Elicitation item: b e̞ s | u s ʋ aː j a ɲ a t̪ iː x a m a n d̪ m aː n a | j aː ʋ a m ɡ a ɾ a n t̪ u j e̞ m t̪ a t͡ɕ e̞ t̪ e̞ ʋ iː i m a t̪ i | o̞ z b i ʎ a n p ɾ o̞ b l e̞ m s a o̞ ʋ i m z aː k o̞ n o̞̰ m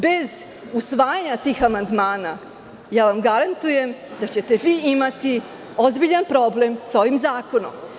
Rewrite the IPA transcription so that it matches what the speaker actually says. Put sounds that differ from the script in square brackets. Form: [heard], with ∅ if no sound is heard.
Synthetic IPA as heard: b e̞ [z] | u s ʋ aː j a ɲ a t̪ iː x a m a n d̪ m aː n a | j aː ʋ a m ɡ a ɾ a n t̪ u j e̞ m [d̪] a t͡ɕ e̞ t̪ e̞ ʋ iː i m a t̪ i | o̞ z b i ʎ a n p ɾ o̞ b l e̞ m s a o̞ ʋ i m z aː k o̞ n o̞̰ m